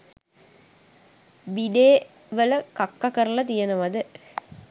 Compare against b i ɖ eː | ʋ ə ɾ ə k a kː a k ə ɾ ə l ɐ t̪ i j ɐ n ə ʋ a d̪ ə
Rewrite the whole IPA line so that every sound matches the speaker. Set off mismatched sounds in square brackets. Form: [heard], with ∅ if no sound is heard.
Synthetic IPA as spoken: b i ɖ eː | ʋ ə [l] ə k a kː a k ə ɾ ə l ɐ t̪ i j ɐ n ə ʋ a d̪ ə